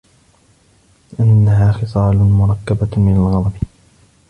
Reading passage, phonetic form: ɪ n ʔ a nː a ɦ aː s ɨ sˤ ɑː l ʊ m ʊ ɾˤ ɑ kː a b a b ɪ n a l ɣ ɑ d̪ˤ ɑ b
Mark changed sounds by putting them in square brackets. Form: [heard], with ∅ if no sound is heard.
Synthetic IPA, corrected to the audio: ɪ [∅] ʔ a nː a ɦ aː [x] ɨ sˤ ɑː l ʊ m ʊ ɾˤ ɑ kː a b a [m] ɪ n a l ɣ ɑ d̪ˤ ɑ b